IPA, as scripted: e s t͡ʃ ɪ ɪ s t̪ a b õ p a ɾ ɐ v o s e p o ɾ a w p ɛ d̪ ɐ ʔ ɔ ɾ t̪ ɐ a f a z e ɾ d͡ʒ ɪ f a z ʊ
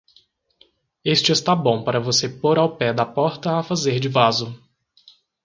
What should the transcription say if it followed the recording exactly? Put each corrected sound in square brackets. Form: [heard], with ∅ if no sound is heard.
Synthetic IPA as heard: e s t͡ʃ ɪ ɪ s t̪ a b õ p a ɾ ɐ v o s e p o ɾ a w p ɛ d̪ ɐ [p] ɔ ɾ t̪ ɐ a f a z e ɾ d͡ʒ ɪ [v] a z ʊ